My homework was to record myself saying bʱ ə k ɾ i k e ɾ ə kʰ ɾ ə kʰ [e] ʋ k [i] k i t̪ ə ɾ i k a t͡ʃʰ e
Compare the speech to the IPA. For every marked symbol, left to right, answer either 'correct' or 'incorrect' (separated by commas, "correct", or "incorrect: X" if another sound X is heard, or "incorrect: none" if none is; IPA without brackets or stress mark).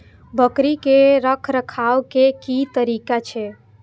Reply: incorrect: a, incorrect: e